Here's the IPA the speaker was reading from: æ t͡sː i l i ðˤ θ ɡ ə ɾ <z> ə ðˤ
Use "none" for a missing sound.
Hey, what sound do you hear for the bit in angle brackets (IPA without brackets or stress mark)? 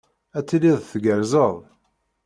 z